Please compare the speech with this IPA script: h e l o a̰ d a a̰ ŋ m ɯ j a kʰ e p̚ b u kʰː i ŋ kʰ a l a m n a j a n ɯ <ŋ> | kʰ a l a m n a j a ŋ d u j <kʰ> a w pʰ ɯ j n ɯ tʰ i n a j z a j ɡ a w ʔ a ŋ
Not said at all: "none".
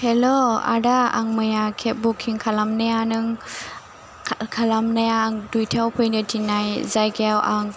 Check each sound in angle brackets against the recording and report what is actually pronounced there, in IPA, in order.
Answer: ŋ, tʰ

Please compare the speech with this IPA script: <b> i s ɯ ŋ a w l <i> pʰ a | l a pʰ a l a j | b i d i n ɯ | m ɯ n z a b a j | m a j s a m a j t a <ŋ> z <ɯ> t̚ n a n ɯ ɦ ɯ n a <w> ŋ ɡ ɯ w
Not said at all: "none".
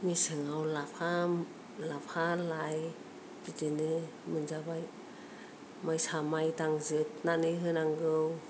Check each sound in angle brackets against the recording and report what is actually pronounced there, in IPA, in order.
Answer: m, a, ŋ, ɯ, none

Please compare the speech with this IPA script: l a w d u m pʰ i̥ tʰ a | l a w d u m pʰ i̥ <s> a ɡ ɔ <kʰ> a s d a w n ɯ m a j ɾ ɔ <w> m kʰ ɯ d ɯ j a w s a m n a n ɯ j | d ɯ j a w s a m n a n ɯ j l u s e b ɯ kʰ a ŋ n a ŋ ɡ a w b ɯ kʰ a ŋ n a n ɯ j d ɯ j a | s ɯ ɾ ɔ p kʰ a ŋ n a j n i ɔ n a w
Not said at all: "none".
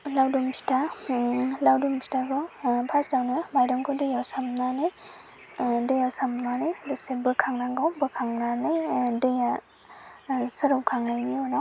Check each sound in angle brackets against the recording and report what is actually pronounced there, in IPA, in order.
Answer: t, pʰ, none

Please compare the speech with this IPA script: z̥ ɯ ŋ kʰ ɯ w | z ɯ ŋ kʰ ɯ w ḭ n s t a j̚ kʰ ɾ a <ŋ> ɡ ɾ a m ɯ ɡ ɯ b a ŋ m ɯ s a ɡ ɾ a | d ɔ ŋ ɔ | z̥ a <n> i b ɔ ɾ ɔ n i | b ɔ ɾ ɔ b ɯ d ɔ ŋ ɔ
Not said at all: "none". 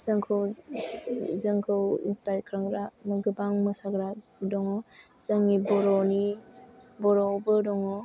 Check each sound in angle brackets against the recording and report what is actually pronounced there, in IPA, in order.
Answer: ŋ, ŋ

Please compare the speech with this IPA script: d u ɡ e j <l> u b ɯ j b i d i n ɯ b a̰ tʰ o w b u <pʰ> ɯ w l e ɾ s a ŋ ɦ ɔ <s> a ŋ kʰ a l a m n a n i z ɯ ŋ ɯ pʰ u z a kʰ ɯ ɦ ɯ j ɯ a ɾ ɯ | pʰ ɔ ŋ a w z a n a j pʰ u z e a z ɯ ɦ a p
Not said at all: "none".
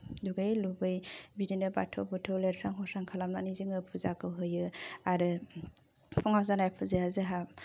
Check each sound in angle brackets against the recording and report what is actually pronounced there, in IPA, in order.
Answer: l, tʰ, s

